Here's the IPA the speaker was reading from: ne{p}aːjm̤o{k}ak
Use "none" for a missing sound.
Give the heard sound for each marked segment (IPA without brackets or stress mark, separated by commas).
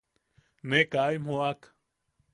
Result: k, none